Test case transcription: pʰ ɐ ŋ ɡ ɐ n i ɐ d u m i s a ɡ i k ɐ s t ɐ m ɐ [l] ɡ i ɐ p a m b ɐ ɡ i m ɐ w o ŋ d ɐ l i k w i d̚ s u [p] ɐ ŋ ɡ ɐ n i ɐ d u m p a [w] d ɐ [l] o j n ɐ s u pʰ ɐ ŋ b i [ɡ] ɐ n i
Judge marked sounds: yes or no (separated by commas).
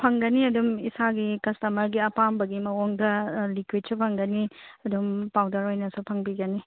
no, no, yes, no, yes